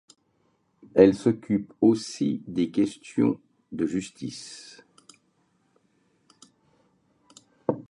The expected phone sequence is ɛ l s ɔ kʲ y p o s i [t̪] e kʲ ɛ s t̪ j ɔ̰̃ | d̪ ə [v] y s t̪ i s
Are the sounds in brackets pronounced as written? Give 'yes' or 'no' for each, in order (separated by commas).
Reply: no, no